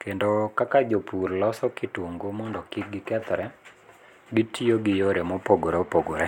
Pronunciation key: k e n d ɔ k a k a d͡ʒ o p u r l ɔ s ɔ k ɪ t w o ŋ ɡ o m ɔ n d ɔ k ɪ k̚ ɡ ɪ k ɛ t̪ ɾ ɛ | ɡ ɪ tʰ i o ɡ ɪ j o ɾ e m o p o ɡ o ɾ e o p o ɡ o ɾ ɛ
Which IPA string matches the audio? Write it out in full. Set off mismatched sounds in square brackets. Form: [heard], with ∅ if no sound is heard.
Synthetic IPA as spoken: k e n d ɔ k a k a d͡ʒ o p u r l ɔ s ɔ k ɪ t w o ŋ ɡ o m ɔ n d ɔ k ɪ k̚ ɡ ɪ k ɛ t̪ ɾ ɛ | ɡ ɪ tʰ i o ɡ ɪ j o ɾ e m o p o ɡ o ɾ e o p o ɡ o ɾ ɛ